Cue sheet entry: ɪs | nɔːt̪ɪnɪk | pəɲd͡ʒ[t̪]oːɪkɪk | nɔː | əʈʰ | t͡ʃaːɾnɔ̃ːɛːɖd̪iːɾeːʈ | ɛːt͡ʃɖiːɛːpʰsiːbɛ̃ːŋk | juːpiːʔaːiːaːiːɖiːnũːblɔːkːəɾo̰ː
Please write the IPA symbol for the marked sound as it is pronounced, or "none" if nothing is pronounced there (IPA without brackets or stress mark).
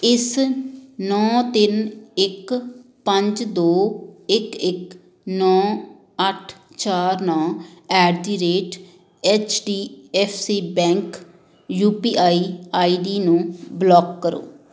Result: d̪